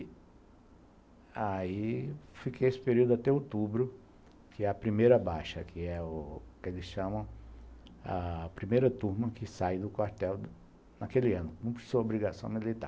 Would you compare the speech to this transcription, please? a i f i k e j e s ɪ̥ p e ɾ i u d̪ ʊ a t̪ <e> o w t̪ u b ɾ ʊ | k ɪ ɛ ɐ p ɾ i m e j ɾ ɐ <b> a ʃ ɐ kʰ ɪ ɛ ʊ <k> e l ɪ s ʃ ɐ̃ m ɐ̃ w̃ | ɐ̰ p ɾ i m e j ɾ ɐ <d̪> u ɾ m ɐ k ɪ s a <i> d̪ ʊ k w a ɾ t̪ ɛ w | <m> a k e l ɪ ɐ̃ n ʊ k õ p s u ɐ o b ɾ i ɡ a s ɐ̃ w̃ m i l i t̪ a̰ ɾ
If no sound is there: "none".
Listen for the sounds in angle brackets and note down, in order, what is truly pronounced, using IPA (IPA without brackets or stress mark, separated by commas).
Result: ɛ, b, k, t̪, j, n